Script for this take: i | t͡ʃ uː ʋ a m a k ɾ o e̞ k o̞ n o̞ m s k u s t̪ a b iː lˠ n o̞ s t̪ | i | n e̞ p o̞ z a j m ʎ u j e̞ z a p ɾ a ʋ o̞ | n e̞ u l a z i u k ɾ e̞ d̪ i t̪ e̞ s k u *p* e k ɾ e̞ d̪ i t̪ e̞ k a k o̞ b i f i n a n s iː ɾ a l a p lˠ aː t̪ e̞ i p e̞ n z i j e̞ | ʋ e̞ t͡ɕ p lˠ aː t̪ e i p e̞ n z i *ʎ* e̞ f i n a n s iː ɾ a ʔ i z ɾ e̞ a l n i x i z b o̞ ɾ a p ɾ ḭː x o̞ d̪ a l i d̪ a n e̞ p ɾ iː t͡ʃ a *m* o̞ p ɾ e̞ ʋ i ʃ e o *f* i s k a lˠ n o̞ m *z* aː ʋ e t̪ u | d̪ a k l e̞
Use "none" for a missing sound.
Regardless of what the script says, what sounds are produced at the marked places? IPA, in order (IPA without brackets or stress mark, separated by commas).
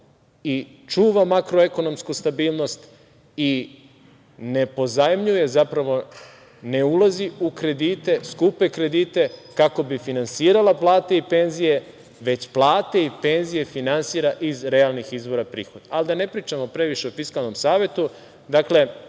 p, j, m, f, s